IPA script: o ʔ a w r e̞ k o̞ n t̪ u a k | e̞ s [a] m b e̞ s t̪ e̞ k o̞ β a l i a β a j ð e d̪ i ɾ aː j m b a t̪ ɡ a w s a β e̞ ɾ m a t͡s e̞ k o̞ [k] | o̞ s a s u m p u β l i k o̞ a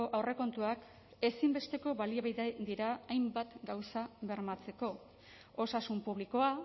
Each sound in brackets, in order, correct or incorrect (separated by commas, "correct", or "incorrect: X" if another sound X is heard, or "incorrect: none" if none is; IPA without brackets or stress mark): incorrect: i, incorrect: none